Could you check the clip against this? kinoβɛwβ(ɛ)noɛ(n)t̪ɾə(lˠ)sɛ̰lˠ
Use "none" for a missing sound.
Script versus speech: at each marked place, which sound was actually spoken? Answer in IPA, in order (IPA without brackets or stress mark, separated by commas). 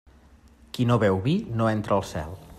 i, n, lˠ